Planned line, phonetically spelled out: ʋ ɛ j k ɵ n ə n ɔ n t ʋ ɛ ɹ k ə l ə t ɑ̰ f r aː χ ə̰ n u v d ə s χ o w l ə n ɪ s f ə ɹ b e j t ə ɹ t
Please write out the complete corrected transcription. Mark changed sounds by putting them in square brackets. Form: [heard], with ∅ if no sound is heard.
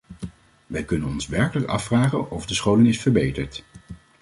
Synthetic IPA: ʋ ɛ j k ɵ n ə n ɔ n [s] ʋ ɛ ɹ k ə l ə [k] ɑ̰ f r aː χ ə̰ n [ɔ] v d ə s χ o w l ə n ɪ s f ə ɹ b e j t ə ɹ t